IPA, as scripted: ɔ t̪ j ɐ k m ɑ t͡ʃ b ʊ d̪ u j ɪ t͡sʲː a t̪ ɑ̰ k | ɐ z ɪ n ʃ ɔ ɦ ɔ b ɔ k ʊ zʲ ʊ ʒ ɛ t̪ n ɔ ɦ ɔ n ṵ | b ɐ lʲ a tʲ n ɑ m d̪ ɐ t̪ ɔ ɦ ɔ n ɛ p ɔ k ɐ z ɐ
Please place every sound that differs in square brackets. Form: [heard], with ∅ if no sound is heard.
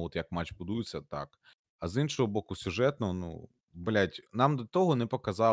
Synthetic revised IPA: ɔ t̪ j ɐ k m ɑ t͡ʃ b ʊ d̪ u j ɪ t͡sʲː [ɐ] t̪ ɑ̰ k | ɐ z [i] n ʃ ɔ ɦ ɔ b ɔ k ʊ [sʲ] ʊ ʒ ɛ t̪ n ɔ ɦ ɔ n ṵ | b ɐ lʲ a tʲ n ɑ m d̪ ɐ t̪ ɔ ɦ ɔ n ɛ p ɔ k ɐ z [ɑ]